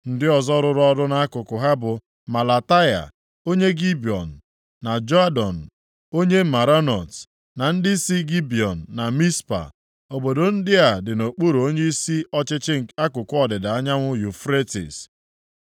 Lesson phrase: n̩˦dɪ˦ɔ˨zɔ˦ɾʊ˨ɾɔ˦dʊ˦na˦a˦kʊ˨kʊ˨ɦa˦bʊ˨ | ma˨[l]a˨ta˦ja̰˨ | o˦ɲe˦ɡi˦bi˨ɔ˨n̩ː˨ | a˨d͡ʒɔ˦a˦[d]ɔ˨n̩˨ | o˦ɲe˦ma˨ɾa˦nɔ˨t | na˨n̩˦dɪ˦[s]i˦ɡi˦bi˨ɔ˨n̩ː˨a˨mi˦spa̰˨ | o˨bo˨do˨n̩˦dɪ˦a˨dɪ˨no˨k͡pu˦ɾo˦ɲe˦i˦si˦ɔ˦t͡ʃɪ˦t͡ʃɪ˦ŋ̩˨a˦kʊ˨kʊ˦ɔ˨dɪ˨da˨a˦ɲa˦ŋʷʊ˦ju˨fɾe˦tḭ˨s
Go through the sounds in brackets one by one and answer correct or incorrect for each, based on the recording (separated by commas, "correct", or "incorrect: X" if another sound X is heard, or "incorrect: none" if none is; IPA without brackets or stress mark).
correct, correct, correct